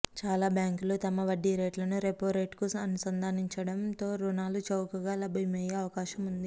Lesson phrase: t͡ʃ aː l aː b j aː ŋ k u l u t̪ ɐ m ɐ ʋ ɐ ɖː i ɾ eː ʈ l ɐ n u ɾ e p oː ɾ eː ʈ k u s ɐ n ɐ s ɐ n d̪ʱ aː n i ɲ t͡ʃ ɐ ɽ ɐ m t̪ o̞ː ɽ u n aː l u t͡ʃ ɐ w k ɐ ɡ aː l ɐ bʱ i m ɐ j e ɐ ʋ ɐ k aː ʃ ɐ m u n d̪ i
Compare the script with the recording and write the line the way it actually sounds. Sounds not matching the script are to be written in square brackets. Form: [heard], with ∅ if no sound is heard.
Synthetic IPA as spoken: t͡ʃ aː l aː b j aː ŋ k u l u t̪ ɐ m ɐ ʋ ɐ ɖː i ɾ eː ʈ l ɐ n u ɾ e p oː ɾ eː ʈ k u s ɐ n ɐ s ɐ n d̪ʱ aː n i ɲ t͡ʃ ɐ ɽ ɐ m t̪ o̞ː [ɾ] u n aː l u t͡ʃ ɐ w k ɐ ɡ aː l ɐ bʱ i m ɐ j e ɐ ʋ ɐ k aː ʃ ɐ m u n d̪ i